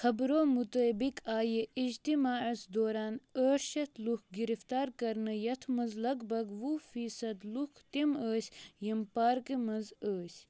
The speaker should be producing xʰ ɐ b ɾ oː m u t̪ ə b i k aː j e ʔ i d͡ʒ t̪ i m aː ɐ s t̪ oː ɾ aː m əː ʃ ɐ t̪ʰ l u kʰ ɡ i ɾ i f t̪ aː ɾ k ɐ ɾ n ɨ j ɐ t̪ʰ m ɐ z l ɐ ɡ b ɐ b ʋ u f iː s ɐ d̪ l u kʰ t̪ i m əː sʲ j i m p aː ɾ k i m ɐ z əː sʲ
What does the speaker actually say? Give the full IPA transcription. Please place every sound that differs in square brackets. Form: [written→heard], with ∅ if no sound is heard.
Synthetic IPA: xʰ ɐ b ɾ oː m u t̪ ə b i k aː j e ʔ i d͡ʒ t̪ i m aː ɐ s [t̪→d̪] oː ɾ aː [m→n] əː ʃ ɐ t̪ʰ l u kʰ ɡ i ɾ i f t̪ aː ɾ k ɐ ɾ n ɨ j ɐ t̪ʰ m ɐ z l ɐ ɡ b ɐ [b→ɡ] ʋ u f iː s ɐ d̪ l u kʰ t̪ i m əː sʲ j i m p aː ɾ k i m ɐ z əː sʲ